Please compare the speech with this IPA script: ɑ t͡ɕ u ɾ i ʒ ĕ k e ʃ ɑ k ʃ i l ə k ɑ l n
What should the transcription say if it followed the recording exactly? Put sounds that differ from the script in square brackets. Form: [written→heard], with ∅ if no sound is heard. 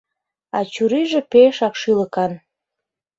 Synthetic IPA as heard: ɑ t͡ɕ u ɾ i ʒ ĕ [k→p] e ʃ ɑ k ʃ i l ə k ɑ [l→∅] n